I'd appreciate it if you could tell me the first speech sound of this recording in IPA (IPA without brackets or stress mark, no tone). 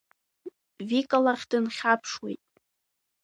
v